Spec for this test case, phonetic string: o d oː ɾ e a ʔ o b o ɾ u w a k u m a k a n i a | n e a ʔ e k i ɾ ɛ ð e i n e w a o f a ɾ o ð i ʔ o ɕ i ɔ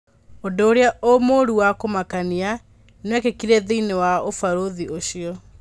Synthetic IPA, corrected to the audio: o d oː ɾ e a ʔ o m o ɾ u w a k o m a k a n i a | n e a k e k i ɾ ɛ ð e i n e w a o f a ɾ o ð i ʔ o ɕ i ɔ

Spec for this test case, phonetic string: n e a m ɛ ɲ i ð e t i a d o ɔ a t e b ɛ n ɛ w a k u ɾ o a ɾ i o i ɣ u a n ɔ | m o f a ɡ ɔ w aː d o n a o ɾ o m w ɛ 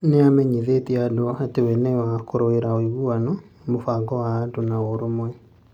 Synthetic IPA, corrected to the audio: n e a m ɛ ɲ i ð e t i a d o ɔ a t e w ɛ n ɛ w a k o ɾ o e ɾ a o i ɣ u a n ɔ | m o f a ɡ ɔ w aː d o n a o ɾ o m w ɛ

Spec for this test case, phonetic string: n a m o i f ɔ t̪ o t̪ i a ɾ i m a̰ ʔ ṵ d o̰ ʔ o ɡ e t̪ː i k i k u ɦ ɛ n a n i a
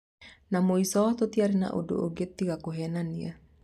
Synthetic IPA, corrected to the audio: n a m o i s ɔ t̪ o t̪ i a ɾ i n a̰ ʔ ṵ d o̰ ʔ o ɡ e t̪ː i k a k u ɦ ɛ n a n i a

